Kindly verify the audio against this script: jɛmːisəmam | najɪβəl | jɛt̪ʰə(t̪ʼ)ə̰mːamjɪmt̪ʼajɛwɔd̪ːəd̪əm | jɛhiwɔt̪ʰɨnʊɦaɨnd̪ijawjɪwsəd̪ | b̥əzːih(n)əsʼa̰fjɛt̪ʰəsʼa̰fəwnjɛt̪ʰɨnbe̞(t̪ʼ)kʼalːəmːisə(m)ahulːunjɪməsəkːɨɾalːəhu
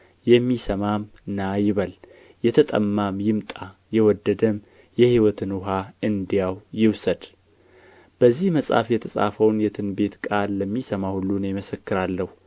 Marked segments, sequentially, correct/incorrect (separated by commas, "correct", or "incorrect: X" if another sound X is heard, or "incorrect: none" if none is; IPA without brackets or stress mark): correct, incorrect: m, incorrect: t̪, correct